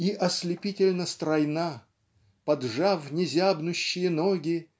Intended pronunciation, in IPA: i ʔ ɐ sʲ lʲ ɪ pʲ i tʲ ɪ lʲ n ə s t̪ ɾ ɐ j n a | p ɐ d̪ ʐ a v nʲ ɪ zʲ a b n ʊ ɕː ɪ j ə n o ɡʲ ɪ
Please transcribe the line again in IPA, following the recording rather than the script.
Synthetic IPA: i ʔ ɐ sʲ lʲ ɪ pʲ i tʲ ɪ lʲ n ə s t̪ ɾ ɐ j n a | p ɐ d̪ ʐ a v nʲ ɪ zʲ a b n ʊ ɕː ɪ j ə n o ɡʲ ɪ